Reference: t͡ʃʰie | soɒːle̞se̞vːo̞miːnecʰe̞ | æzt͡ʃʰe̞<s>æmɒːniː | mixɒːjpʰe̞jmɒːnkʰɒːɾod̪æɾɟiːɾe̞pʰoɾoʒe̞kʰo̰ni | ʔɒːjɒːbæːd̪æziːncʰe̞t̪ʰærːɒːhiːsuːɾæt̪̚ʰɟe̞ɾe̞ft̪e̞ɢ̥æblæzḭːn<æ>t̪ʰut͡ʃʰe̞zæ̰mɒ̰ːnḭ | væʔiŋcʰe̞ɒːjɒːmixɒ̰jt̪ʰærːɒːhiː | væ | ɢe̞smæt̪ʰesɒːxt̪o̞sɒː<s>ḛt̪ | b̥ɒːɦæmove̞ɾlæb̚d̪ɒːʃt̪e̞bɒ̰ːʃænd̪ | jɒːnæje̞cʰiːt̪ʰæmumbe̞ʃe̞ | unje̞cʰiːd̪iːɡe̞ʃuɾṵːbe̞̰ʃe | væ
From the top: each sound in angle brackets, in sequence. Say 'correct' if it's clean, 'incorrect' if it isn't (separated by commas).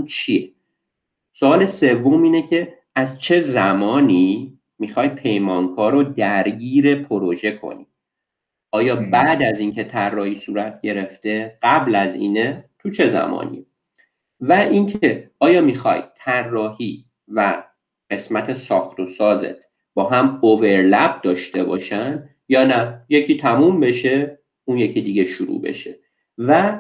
incorrect, incorrect, incorrect